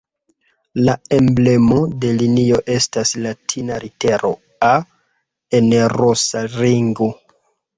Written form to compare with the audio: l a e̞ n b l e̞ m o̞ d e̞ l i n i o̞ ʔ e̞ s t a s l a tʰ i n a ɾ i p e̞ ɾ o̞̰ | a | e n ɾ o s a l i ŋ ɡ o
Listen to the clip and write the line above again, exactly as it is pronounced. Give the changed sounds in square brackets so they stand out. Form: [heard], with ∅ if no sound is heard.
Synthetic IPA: l a e̞ [m] b l e̞ m o̞ d e̞ l i n i o̞ ʔ e̞ s t a s l a tʰ i n a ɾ i [t] e̞ ɾ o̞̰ | a | e n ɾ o s a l i ŋ ɡ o